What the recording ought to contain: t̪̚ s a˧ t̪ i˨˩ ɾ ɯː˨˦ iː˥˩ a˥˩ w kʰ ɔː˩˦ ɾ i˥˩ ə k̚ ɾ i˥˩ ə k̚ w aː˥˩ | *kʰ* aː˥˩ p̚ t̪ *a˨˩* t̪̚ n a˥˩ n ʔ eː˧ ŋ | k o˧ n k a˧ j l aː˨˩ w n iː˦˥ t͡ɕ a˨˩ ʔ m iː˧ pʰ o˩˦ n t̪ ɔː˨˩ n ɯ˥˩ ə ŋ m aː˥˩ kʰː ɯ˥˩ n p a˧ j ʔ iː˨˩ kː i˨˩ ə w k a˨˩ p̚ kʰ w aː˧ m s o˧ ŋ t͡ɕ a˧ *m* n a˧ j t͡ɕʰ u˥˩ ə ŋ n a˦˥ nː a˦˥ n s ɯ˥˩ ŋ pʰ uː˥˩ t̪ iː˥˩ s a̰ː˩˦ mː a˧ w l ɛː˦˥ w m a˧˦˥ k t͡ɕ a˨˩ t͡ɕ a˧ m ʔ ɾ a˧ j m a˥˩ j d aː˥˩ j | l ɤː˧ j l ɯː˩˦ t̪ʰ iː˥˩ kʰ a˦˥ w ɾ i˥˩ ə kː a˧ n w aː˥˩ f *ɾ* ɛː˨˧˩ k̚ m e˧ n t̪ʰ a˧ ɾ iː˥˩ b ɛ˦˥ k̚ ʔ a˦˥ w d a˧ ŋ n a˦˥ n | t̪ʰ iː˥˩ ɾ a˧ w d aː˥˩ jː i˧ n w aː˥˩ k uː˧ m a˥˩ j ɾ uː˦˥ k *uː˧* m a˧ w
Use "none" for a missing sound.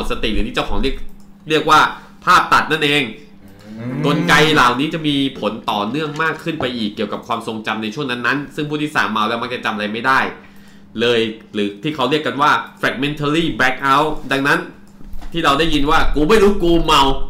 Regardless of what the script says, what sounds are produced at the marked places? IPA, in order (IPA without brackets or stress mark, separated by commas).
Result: pʰ, a˨˩, m, ɾ, uː˧